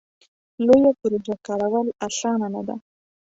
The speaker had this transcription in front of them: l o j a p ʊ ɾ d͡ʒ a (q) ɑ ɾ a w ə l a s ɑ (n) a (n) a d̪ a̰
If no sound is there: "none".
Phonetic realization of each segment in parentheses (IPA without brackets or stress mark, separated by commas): k, n, n